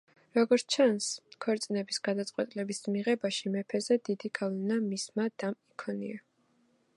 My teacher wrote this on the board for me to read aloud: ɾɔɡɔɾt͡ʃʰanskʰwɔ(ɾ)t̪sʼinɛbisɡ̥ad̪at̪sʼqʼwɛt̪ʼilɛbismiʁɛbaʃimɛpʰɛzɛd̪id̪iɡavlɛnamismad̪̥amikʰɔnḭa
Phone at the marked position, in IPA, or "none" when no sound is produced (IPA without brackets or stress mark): ɾ